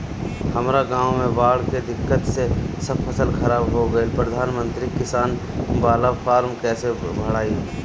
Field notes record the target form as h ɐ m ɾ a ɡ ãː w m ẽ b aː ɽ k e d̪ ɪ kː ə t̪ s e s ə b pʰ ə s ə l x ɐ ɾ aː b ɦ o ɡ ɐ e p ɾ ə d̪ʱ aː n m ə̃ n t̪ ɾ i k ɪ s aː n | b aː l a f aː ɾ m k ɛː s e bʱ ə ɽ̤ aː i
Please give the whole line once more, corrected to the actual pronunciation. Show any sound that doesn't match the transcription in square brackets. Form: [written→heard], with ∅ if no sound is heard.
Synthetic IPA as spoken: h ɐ m ɾ a ɡ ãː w m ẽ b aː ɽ k e d̪ ɪ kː ə t̪ s e s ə b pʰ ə s ə l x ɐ ɾ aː b ɦ o ɡ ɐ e p ɾ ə d̪ʱ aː n m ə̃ n t̪ ɾ i k ɪ s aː n | b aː l a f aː ɾ m k ɛː s e bʱ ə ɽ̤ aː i